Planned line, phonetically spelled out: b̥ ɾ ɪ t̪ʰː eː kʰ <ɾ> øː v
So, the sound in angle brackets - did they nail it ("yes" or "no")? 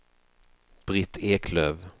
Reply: no